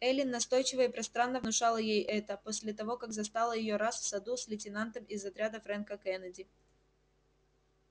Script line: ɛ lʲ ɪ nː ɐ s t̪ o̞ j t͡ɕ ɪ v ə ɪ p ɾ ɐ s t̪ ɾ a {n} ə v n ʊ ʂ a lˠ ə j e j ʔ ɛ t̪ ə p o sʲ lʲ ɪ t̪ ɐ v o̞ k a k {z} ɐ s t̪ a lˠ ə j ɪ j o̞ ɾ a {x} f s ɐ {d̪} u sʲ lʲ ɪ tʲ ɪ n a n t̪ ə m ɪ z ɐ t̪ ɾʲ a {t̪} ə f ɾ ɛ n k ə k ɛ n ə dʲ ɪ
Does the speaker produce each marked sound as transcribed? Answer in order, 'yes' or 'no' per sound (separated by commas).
no, yes, no, yes, no